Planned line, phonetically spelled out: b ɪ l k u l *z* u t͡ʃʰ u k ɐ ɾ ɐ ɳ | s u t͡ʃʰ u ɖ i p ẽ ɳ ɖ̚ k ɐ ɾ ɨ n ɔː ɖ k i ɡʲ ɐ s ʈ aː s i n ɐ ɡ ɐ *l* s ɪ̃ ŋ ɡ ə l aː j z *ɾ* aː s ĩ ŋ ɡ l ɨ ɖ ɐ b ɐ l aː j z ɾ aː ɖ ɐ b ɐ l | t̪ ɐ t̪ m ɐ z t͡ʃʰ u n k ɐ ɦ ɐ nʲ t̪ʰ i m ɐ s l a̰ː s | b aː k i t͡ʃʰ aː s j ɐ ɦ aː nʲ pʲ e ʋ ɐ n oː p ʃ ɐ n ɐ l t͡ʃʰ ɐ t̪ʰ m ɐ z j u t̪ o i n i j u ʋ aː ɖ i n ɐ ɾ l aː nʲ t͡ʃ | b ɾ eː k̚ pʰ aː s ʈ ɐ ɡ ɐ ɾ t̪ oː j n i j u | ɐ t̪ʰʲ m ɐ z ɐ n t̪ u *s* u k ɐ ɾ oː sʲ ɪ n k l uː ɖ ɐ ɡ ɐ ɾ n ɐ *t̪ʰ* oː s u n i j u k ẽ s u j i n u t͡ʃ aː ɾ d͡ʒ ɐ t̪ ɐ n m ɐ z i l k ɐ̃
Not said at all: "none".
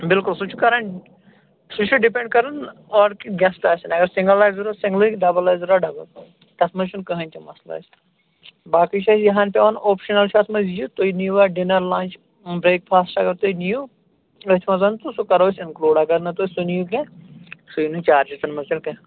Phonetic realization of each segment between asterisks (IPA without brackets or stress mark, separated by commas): s, ɾ, ɾ, s, t̪